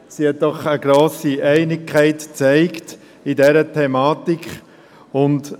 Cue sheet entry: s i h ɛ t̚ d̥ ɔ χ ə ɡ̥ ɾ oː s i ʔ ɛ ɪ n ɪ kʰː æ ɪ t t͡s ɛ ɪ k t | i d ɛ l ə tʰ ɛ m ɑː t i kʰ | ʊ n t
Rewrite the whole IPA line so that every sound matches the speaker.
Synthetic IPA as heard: s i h ɛ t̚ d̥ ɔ χ ə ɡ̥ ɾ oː s i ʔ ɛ ɪ n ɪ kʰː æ ɪ t t͡s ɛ ɪ k t | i d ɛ ɾ ə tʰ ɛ m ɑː t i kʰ | ʊ n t